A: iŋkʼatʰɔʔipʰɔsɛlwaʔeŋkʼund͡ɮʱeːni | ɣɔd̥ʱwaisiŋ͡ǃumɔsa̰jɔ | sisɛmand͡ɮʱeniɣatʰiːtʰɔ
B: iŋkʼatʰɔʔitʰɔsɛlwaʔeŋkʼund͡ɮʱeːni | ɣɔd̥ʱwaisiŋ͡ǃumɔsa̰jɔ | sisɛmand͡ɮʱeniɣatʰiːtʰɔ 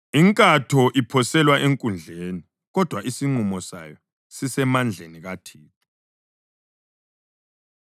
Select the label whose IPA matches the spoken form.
A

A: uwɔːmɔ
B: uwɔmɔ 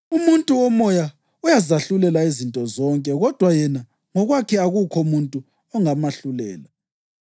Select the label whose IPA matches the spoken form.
B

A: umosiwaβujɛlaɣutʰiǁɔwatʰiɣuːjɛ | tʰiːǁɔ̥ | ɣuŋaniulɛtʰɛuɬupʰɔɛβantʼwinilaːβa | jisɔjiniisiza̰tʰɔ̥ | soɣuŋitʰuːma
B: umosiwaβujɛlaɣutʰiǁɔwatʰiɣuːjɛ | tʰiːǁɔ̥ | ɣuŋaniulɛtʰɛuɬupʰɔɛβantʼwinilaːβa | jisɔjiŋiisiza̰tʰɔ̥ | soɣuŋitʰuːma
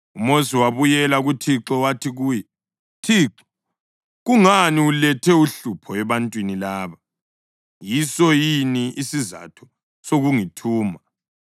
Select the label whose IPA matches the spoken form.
A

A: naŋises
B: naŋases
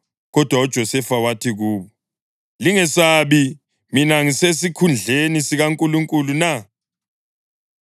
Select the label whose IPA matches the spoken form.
A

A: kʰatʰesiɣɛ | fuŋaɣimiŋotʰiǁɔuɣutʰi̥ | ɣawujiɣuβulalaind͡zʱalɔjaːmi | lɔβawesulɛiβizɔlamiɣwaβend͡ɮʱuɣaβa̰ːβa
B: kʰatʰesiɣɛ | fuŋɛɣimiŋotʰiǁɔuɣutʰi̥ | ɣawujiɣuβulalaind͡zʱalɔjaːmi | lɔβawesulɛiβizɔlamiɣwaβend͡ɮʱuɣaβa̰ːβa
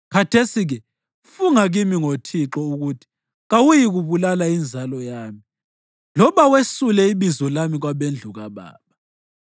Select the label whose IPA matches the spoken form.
A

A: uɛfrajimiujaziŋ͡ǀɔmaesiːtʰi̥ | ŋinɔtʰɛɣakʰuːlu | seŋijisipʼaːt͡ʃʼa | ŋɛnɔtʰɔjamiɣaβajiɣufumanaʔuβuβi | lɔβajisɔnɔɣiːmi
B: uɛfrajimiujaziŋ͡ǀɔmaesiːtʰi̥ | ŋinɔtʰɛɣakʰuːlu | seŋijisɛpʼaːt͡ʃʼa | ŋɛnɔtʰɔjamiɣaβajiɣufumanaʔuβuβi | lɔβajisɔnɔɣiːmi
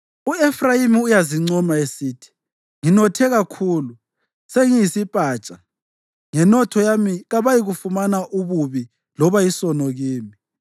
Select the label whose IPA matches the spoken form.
A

